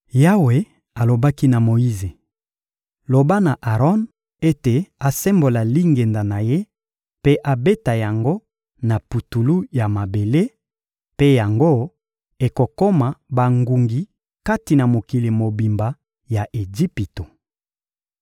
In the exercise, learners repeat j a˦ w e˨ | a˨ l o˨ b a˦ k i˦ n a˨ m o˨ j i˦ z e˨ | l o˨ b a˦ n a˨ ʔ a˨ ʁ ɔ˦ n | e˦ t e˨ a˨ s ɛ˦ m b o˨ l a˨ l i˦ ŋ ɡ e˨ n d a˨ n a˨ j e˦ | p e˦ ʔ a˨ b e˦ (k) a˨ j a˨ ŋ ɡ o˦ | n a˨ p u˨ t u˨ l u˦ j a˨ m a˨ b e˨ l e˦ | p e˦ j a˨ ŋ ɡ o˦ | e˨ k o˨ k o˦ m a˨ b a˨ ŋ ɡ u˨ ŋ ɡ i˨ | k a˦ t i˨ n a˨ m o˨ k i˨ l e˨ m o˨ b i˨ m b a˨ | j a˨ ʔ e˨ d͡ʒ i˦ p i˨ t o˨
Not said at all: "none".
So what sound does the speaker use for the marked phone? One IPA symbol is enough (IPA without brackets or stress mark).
t